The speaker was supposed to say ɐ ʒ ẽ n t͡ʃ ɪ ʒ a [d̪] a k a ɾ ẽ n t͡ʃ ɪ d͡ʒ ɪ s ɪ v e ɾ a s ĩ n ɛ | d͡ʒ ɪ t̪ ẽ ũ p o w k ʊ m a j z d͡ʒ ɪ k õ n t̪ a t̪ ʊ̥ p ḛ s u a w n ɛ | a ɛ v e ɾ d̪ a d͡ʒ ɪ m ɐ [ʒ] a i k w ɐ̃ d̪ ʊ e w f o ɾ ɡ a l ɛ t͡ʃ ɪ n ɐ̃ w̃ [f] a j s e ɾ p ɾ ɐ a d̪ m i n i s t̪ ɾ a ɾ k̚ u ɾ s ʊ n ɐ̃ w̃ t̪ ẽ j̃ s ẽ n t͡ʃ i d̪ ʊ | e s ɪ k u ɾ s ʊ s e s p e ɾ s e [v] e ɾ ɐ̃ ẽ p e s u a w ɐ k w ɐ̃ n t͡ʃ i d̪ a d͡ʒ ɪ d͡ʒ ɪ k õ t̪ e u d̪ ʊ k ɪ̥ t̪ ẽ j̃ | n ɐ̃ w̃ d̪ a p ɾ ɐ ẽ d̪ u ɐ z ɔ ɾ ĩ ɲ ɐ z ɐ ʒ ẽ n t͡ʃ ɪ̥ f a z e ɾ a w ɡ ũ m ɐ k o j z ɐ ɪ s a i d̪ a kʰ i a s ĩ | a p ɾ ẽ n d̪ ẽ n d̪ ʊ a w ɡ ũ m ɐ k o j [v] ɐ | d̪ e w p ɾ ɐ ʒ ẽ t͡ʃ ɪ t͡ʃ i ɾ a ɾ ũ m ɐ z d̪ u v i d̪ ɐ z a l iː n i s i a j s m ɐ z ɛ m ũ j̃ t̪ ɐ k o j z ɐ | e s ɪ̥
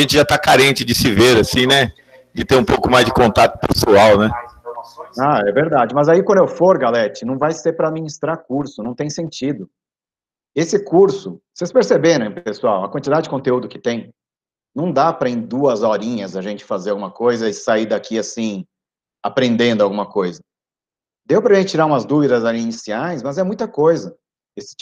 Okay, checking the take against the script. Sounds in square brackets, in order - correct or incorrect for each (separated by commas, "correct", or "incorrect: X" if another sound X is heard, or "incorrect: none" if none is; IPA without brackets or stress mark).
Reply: incorrect: t̪, incorrect: z, incorrect: v, incorrect: b, incorrect: z